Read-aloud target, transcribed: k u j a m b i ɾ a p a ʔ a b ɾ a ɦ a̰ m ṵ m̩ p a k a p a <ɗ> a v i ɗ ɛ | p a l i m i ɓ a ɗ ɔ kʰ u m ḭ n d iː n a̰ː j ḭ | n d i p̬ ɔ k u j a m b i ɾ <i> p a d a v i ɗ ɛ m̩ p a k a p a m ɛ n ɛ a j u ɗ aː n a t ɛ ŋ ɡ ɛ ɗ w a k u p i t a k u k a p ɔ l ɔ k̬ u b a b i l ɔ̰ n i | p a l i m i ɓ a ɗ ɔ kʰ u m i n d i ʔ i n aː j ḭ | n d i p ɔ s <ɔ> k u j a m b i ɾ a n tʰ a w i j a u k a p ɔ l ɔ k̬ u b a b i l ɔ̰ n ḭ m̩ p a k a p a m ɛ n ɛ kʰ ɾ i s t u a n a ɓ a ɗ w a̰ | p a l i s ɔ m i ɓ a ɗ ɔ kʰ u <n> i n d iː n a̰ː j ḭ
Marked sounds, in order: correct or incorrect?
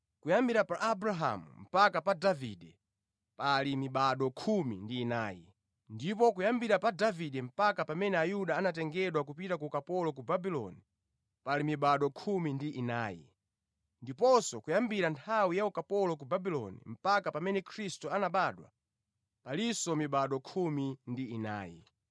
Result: incorrect, incorrect, correct, incorrect

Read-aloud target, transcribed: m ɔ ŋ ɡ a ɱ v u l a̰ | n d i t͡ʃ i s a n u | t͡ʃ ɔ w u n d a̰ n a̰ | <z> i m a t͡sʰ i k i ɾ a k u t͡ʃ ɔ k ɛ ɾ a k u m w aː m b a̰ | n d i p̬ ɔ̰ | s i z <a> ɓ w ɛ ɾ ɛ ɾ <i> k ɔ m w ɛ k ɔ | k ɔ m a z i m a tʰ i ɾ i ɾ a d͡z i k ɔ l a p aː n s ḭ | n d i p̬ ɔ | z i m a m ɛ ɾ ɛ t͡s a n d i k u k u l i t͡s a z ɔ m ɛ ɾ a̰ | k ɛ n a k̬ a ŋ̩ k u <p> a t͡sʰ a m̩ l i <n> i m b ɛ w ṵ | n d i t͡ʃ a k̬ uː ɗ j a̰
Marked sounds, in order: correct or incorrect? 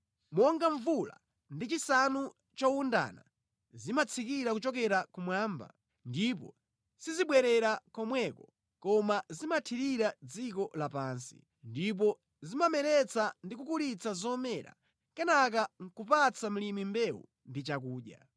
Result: correct, incorrect, incorrect, correct, incorrect

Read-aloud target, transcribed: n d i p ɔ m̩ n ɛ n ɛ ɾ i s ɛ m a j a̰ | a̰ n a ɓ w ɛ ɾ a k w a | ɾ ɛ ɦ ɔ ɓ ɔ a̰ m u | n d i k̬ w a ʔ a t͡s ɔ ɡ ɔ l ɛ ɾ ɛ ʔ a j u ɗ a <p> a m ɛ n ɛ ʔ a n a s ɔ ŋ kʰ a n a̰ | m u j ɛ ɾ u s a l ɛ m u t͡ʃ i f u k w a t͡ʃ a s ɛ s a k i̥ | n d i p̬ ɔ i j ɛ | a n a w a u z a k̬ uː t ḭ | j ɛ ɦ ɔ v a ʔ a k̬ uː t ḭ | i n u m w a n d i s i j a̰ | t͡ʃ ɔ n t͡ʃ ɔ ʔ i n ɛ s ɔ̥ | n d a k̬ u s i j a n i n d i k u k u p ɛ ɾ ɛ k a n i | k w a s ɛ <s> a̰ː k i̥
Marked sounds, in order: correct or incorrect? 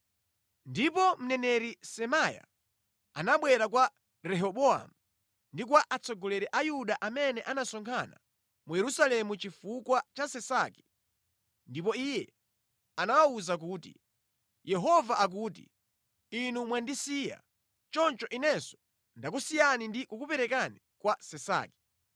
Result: incorrect, correct

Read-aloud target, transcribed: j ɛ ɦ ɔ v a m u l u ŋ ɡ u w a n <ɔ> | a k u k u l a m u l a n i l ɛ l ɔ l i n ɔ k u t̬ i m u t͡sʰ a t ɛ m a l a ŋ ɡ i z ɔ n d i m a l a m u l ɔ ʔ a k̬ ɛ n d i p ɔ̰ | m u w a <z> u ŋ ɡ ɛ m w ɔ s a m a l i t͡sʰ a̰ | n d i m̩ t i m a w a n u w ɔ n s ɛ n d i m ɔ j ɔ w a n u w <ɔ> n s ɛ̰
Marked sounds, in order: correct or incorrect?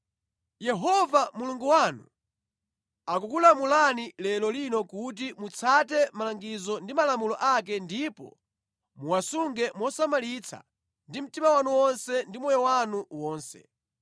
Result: incorrect, incorrect, incorrect

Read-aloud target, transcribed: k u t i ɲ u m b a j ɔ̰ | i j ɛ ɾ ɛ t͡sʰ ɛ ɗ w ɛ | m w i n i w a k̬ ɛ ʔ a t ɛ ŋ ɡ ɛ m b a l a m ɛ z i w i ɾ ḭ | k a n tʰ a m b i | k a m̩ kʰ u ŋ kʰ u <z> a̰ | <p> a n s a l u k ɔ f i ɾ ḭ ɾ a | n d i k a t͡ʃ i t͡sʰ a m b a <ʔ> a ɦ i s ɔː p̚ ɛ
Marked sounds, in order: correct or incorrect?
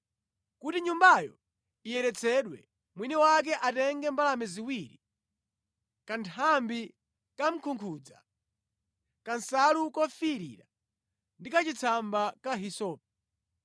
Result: incorrect, incorrect, incorrect

